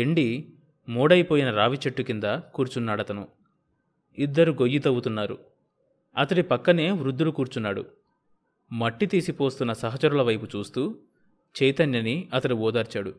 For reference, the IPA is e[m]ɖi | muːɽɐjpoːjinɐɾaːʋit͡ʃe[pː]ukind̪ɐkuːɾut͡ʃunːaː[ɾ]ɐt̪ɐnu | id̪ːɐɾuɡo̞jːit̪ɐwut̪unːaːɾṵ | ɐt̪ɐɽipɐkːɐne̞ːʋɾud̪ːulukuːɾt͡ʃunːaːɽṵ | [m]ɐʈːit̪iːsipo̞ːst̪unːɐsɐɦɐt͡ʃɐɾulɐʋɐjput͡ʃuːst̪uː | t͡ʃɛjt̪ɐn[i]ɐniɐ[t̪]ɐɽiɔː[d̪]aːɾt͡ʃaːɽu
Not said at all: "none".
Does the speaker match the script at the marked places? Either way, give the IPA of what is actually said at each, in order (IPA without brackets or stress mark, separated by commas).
ɳ, ʈː, ɽ, m, j, t̪, d̪